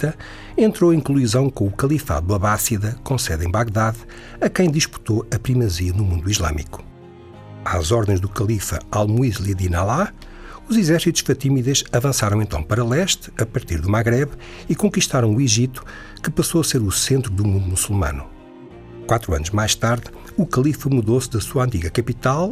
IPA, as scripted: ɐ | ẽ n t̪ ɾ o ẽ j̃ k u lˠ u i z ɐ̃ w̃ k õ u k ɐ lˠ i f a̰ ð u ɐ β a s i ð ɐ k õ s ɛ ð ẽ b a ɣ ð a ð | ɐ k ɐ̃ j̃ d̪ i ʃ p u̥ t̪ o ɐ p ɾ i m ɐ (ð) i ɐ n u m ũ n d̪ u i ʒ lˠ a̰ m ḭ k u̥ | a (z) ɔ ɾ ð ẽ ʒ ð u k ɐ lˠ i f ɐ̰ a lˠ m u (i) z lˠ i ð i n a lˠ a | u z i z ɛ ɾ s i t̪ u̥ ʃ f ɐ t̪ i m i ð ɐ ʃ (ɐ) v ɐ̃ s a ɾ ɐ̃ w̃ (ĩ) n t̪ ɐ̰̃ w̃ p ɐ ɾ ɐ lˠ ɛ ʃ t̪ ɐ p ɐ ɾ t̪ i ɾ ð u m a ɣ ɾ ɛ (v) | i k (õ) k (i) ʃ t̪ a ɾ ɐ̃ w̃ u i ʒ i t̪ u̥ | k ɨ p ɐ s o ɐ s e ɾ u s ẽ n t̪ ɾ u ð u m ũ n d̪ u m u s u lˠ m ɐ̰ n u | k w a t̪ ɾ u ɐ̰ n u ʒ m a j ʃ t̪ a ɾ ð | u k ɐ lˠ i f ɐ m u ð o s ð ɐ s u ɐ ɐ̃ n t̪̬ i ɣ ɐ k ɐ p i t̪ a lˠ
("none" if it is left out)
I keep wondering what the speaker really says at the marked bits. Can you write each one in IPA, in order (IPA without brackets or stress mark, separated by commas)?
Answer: z, z, i, ɐ, ẽ, β, õ, i